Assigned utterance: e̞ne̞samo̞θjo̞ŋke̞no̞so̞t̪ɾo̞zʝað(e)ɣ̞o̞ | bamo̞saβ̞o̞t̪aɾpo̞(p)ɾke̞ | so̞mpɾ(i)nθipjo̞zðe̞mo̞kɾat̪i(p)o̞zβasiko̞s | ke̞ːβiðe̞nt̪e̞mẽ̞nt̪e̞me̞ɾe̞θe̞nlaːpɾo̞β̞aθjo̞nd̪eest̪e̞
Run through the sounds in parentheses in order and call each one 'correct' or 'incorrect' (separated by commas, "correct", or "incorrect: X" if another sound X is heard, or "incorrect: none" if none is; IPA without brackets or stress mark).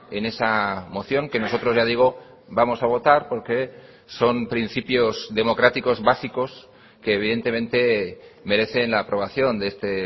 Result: incorrect: i, incorrect: none, correct, incorrect: k